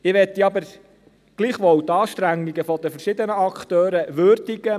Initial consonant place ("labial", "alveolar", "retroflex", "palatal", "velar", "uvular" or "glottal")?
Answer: labial